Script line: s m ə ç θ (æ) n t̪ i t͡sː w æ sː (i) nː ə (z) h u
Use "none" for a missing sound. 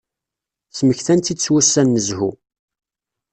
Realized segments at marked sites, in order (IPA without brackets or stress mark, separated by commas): æ, æ, z